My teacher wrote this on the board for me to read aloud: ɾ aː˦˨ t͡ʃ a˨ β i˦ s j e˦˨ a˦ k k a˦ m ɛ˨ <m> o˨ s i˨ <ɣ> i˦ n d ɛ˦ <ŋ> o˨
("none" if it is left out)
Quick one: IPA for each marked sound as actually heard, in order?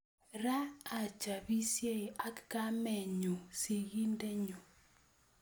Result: ɲ, ɣ, ɲ

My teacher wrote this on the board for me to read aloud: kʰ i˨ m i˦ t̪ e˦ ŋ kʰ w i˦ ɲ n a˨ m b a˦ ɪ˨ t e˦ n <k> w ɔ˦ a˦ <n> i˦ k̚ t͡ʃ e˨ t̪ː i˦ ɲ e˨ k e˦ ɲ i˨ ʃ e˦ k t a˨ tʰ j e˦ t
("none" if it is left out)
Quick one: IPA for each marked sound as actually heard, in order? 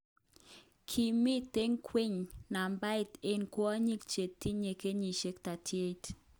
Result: k, ɲ

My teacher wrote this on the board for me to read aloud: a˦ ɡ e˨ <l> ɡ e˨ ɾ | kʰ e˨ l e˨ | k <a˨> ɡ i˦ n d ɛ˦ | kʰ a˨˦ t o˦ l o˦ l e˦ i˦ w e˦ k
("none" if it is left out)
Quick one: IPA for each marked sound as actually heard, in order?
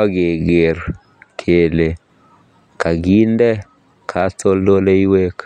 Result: none, a˨

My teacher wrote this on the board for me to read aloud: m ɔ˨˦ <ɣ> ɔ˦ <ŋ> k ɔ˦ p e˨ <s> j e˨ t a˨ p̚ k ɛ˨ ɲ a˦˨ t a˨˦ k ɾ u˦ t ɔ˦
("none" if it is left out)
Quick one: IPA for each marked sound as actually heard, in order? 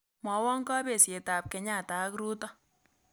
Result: w, ŋ, s

